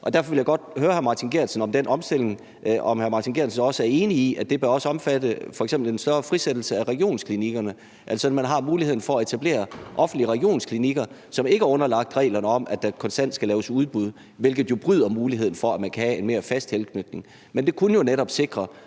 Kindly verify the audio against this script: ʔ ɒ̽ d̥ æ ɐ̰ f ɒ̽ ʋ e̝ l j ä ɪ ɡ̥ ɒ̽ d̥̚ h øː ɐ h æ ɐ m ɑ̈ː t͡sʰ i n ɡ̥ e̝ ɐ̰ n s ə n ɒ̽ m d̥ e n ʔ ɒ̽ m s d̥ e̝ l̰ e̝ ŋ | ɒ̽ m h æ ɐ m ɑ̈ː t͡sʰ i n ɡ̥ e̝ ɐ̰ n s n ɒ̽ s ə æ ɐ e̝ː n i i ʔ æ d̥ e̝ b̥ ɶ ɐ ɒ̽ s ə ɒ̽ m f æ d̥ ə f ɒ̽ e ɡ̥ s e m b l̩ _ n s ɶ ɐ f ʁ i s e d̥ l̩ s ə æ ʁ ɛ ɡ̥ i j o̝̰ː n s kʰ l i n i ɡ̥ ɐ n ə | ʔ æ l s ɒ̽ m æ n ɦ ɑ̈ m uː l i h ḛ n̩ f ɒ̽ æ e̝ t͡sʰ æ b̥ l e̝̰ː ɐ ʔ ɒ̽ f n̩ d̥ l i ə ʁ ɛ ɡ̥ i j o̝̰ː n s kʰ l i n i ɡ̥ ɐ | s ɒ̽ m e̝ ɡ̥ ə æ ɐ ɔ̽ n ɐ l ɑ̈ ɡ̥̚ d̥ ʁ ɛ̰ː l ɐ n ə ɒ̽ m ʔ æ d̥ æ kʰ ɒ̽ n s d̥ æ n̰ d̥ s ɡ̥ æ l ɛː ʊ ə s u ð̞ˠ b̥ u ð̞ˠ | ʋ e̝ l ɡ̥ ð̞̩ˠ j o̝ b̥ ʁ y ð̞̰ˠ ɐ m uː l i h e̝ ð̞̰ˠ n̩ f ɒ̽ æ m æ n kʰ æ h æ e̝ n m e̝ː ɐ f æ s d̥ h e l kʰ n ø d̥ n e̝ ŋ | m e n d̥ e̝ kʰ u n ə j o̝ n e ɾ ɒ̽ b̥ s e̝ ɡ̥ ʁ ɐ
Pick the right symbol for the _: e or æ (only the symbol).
e